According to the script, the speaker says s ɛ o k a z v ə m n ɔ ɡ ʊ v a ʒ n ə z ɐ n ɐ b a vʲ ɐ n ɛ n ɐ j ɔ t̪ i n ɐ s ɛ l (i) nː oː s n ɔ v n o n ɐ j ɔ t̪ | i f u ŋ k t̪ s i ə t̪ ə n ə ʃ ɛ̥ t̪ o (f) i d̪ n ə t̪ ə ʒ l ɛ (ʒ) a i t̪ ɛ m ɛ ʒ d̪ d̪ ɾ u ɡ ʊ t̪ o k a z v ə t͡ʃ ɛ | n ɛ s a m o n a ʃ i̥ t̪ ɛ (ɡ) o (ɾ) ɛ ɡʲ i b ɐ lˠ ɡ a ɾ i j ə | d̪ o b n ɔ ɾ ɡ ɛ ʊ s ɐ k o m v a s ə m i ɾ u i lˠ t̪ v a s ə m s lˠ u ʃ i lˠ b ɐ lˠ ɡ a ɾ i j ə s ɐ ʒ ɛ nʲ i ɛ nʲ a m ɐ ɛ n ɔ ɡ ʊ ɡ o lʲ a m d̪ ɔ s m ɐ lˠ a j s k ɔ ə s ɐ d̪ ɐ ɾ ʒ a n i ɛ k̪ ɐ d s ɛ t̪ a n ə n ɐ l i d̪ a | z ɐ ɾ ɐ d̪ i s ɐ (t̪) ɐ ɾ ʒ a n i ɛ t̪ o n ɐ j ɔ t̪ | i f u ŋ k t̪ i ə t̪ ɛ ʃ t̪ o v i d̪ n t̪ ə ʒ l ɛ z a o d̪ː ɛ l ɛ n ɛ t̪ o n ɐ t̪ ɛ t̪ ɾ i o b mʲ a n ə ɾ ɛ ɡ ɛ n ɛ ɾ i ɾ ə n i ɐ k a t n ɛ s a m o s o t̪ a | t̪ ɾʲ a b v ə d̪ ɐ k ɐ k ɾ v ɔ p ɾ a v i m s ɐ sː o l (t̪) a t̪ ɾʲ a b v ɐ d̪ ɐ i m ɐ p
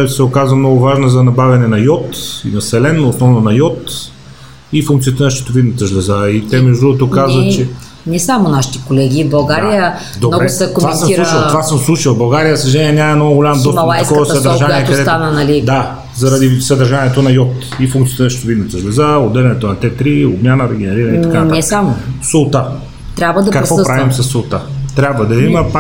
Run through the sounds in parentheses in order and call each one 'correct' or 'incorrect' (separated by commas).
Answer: incorrect, incorrect, incorrect, incorrect, incorrect, incorrect, correct